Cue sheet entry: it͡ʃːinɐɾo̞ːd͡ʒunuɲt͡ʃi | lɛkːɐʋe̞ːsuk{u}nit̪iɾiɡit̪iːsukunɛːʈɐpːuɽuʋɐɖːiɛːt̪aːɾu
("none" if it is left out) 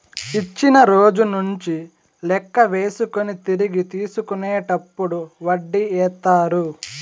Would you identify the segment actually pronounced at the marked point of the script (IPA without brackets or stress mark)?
o